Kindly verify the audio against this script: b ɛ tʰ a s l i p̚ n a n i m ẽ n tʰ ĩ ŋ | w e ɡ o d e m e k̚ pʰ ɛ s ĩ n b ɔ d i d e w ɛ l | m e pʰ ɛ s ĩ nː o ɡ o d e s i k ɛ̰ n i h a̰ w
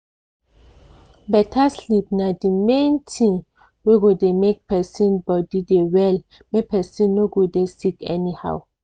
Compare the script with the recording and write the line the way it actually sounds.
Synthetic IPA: b ɛ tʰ a s l i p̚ n a d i m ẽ n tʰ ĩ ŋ | w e ɡ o d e m e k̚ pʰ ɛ s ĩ n b ɔ d i d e w ɛ l | m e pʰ ɛ s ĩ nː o ɡ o d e s i k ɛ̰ n i h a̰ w